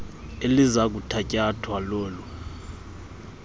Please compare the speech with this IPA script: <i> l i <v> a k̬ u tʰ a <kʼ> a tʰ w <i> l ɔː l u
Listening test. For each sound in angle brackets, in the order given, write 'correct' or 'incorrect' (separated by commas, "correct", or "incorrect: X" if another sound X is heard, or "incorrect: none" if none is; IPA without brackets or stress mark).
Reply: incorrect: e, incorrect: z, incorrect: cʼ, incorrect: a